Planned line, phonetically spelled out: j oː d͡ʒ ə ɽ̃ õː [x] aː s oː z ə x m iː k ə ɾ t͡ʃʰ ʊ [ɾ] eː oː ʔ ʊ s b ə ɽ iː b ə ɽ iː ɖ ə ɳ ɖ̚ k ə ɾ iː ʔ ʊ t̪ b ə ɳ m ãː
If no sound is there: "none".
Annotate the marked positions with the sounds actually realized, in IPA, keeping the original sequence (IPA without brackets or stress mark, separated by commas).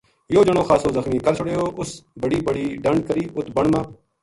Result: x, ɽ